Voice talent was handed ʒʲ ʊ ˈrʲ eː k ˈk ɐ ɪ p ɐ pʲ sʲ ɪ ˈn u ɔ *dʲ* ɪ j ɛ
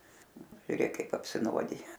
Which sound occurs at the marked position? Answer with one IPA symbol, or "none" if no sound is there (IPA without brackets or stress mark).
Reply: dʲ